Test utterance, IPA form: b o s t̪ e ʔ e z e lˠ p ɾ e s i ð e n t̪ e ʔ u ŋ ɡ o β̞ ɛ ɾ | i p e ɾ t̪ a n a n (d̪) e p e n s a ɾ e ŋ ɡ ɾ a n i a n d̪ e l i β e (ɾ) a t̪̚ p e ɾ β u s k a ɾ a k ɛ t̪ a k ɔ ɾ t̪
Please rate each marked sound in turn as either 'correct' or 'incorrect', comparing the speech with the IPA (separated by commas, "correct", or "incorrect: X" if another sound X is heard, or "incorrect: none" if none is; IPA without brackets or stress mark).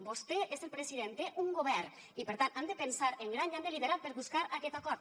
correct, correct